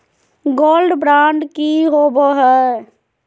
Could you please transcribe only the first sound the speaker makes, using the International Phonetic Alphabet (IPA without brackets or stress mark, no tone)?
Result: ɡ